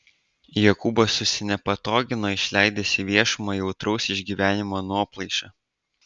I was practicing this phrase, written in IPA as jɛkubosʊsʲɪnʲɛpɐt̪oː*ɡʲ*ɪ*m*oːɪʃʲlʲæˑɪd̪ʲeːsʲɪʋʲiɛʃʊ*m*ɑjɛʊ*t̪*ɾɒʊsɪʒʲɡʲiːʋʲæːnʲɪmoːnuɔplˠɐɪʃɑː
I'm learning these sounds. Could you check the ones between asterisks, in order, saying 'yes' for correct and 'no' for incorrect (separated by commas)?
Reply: yes, no, yes, yes